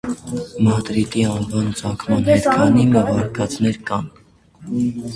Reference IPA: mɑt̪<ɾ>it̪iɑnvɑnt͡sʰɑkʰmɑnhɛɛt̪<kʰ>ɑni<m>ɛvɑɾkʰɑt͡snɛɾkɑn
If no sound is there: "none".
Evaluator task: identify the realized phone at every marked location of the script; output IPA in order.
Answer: ɾ, kʰ, m

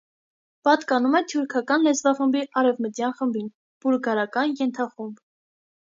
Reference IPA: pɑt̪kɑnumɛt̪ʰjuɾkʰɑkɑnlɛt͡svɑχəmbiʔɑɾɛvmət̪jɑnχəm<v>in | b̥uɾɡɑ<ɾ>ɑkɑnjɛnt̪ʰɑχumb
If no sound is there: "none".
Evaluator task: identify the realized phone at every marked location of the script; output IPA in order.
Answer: b, ɾ

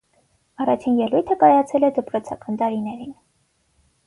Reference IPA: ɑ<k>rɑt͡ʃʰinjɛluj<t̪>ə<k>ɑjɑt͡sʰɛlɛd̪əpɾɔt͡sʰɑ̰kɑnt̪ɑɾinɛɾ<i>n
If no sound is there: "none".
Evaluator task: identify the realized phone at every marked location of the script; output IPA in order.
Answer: none, t̪ʰ, k, i

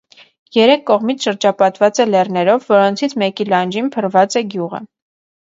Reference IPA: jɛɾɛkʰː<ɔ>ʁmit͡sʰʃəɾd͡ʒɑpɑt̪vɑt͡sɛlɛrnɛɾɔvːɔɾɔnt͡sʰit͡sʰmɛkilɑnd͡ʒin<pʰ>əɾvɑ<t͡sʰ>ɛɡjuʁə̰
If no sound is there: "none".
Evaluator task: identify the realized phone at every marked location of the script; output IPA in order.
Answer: ɔ, pʰ, t͡s

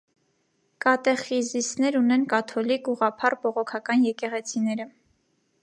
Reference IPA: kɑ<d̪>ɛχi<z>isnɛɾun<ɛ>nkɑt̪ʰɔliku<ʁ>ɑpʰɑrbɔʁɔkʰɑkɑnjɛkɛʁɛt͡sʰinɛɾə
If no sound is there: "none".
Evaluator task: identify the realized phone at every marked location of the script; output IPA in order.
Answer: t̪, z, ɛ, ʁ

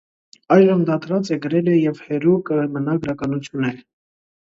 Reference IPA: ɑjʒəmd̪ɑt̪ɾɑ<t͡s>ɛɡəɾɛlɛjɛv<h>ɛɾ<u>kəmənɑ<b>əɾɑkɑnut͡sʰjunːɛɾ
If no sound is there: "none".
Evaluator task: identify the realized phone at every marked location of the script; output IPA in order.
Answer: t͡s, h, u, ɡ

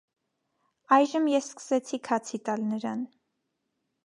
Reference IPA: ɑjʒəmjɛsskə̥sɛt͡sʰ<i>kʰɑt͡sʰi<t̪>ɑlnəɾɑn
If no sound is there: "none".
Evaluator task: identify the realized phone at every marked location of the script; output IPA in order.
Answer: i, t̪

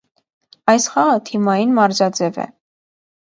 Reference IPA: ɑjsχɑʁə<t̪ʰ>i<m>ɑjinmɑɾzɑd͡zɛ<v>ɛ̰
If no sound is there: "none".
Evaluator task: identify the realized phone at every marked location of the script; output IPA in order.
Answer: t̪ʰ, m, v

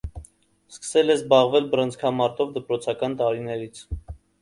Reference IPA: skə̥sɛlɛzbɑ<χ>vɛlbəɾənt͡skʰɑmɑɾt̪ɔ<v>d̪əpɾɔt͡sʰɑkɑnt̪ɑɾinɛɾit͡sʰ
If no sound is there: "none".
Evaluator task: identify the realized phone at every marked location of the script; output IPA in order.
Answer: ʁ, v

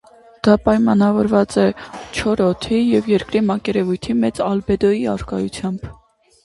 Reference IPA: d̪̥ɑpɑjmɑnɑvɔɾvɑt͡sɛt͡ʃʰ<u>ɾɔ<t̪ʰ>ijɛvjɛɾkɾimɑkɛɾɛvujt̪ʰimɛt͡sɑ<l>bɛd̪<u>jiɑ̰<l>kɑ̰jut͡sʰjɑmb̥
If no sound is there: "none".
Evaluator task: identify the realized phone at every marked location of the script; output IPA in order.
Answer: ɔ, t̪ʰ, l, ɔ, ɾ

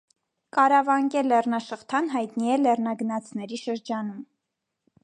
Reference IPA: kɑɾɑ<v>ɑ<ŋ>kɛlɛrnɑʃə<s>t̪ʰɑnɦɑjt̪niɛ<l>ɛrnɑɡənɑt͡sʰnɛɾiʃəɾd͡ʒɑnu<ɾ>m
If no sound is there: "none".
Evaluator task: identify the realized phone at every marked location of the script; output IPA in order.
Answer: v, ŋ, χ, l, none

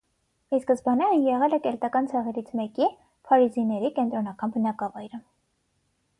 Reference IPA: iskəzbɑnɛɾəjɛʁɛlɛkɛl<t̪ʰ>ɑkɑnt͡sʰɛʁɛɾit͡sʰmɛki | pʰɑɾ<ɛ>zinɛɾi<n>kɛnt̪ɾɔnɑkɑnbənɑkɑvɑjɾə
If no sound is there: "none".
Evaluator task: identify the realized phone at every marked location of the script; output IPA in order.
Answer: t̪, i, none

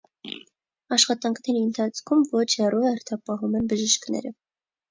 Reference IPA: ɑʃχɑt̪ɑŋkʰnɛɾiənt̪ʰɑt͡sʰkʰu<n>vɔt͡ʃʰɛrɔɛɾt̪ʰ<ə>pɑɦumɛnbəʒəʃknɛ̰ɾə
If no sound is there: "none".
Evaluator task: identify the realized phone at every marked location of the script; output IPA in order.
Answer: m, ɑ

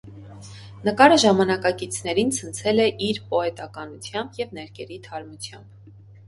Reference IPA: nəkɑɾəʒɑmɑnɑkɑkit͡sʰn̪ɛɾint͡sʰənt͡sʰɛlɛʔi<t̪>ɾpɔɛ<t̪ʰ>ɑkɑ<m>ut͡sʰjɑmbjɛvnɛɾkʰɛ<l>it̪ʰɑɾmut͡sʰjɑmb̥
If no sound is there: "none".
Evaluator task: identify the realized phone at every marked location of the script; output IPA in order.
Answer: none, t̪, n, ɾ

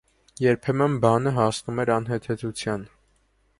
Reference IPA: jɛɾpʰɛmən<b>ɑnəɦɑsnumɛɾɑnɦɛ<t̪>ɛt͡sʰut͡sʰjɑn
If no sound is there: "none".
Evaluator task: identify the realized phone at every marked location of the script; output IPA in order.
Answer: b, t̪ʰ

